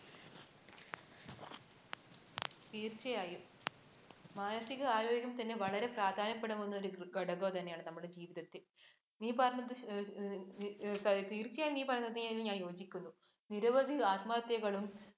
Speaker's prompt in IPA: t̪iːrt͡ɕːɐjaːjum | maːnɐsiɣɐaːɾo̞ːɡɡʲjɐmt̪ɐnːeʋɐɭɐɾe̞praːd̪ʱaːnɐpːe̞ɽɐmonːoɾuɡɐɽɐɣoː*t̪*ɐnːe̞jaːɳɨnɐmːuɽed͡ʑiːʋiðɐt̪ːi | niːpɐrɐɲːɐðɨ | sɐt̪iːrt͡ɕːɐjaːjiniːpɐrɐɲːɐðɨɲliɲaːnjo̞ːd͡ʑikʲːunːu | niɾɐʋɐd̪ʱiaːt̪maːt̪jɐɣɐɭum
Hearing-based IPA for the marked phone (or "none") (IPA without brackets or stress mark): t̪